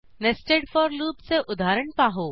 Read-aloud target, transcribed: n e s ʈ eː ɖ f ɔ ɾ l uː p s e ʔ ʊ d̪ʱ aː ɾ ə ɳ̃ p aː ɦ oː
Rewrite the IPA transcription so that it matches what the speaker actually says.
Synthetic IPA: n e s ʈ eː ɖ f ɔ ɾ l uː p s e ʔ ʊ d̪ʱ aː ɾ ə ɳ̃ p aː ɦ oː